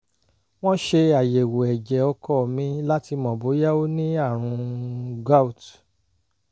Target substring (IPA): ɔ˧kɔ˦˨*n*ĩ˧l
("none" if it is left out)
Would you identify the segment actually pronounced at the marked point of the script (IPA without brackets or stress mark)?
m